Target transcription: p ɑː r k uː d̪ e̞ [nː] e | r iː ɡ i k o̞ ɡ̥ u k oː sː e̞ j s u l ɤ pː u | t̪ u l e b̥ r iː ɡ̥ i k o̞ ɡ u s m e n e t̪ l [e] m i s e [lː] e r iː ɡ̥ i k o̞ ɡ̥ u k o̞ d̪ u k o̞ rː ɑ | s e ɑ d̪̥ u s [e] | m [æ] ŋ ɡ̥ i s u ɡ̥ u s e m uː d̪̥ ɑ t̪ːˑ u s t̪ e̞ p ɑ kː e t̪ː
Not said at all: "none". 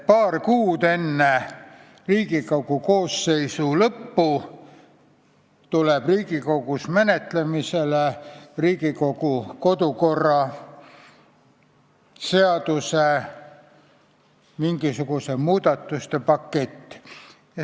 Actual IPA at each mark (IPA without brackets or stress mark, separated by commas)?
nː, e, l, e, i